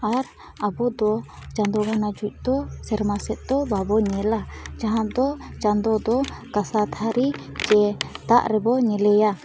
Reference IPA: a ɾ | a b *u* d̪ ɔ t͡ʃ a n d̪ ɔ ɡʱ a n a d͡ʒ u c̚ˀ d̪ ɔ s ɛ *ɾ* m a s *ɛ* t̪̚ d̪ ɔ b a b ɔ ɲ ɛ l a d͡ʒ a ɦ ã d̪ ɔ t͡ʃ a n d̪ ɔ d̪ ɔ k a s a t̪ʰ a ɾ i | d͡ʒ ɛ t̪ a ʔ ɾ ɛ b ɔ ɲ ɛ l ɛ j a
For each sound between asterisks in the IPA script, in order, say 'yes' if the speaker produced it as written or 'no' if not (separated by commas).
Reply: no, yes, yes